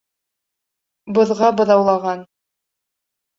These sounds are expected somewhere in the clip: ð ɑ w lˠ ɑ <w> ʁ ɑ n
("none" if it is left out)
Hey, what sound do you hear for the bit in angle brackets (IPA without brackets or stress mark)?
none